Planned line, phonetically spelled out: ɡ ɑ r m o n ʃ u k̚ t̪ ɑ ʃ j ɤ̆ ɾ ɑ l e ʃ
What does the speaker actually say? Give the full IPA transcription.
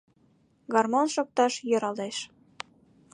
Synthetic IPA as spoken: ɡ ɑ r m o n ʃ o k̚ t̪ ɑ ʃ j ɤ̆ ɾ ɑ l e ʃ